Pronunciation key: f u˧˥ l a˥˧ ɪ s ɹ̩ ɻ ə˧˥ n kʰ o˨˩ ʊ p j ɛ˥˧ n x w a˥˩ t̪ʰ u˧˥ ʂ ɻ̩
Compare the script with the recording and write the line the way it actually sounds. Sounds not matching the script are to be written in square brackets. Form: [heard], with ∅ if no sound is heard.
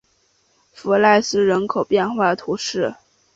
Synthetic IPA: f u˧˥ l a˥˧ ɪ s ɹ̩ ɻ ə˧˥ n kʰ o˨˩ ʊ p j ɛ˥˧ n x w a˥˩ t̪ʰ u˧˥ ʂ ɻ̩